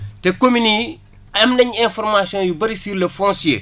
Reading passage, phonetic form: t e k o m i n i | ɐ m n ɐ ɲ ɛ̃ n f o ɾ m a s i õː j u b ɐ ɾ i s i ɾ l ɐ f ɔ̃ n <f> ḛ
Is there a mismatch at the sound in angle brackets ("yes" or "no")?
yes